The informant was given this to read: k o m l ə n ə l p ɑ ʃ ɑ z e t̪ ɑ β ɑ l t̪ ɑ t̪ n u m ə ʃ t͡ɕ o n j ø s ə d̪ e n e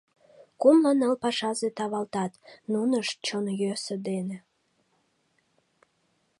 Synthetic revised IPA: k u m l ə n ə l p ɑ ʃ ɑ z e t̪ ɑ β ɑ l t̪ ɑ t̪ n u n ə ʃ t͡ɕ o n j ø s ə d̪ e n e